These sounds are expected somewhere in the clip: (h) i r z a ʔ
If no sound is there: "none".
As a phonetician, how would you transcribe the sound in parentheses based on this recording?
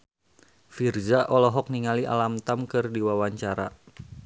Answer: f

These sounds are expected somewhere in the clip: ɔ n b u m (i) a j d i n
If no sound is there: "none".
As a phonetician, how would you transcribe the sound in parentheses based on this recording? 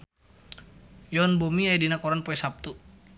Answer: i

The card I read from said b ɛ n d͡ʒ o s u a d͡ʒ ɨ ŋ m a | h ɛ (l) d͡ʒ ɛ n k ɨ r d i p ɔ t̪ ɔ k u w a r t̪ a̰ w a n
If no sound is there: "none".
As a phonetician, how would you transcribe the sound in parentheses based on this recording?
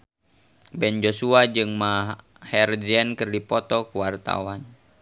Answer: r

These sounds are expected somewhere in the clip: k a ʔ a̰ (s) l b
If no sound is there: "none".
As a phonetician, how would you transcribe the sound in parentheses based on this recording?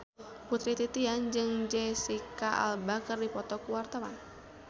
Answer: none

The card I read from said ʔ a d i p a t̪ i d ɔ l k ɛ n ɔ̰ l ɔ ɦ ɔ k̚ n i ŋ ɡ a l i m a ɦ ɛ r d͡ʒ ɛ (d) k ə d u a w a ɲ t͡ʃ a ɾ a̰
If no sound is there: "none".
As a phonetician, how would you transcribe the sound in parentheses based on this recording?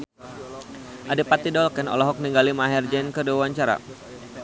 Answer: n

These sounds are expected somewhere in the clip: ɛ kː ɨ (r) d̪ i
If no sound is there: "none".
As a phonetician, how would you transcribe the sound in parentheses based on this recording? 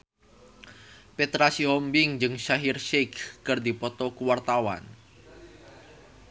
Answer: r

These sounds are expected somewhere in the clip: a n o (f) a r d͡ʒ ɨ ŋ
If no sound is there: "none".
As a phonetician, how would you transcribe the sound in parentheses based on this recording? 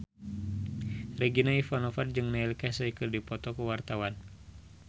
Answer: f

